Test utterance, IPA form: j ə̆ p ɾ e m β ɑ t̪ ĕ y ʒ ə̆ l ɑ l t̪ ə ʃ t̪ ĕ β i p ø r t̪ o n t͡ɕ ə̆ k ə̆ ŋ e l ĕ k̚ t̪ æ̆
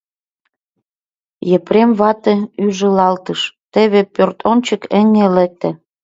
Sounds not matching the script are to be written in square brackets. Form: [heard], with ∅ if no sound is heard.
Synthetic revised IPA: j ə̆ p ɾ e m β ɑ t̪ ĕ y ʒ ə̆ l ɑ l t̪ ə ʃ t̪ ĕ β [e] p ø r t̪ o n t͡ɕ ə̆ k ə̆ ŋ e l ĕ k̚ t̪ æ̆

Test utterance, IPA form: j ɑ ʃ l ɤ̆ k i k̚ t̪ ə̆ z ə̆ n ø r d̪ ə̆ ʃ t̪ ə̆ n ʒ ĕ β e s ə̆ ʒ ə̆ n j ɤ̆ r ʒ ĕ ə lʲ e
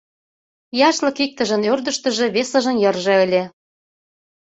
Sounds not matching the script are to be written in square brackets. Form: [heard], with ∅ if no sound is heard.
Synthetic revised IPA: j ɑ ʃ l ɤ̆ k i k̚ t̪ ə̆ [ʒ] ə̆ n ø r d̪ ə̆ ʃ t̪ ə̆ [∅] ʒ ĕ β e s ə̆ ʒ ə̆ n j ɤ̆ r ʒ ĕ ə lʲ e

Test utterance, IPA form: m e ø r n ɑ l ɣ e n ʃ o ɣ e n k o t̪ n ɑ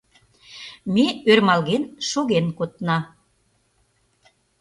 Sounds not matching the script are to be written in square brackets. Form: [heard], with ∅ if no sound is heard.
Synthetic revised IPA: m e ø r [m] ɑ l ɣ e n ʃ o ɣ e n k o t̪ n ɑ

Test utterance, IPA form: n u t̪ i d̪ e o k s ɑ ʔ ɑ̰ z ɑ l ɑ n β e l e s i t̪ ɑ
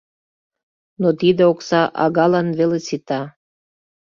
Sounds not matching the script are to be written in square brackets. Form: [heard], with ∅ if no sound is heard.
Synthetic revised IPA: n [o] t̪ i d̪ e o k s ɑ ʔ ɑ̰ [ɣ] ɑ l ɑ n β e l e s i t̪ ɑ

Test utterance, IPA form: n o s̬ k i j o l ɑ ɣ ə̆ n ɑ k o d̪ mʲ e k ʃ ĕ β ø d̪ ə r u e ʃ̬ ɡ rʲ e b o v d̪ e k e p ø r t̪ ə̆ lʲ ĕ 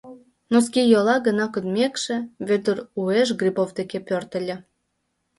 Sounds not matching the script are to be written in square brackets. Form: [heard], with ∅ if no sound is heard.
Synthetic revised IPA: n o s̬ k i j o l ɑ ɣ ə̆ n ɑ k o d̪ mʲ e k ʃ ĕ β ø d̪ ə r u e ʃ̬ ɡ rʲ [i] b o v d̪ e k e p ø r t̪ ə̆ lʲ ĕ

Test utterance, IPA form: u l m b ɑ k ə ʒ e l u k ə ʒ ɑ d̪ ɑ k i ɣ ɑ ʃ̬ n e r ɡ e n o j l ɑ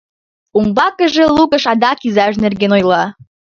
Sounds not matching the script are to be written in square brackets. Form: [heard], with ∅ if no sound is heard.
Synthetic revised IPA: u [∅] m b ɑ k ə ʒ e l u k ə [ʃ] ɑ d̪ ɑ k i [z] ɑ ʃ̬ n e r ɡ e n o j l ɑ

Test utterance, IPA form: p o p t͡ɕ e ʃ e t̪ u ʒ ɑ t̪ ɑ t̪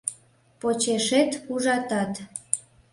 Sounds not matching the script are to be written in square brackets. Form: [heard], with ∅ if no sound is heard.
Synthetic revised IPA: p o [∅] t͡ɕ e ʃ e t̪ u ʒ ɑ t̪ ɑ t̪

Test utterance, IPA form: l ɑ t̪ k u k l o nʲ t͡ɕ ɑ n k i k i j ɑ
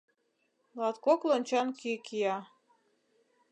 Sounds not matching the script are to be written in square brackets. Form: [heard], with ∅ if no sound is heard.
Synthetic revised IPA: l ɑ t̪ k [o] k l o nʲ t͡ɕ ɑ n k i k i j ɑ

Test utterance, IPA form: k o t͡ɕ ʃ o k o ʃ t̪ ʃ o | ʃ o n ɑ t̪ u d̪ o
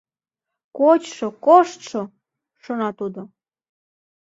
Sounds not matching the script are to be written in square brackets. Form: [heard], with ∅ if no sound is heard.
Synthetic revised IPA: k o t͡ɕ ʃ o k o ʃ t̪ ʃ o | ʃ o n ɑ t̪ u d̪ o

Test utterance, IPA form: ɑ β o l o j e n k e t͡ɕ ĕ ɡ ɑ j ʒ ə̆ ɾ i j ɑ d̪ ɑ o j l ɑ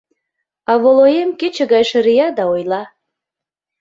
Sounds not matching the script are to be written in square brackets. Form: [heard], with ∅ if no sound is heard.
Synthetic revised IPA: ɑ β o l o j e [m] k e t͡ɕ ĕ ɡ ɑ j [ʃ] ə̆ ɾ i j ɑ d̪ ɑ o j l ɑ

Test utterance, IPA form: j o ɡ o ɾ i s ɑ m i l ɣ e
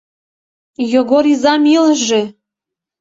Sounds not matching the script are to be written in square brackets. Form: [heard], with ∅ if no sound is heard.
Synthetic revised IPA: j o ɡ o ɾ i [z] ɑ m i l [ʒ] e

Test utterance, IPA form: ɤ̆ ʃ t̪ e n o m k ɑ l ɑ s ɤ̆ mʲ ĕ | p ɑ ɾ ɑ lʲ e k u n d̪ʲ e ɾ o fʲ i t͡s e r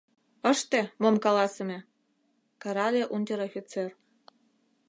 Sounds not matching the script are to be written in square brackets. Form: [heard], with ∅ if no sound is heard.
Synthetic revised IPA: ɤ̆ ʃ t̪ e [m] o m k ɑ l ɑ s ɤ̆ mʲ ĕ | [k] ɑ ɾ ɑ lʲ e [ʔ] u n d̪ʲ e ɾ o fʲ i t͡s e r

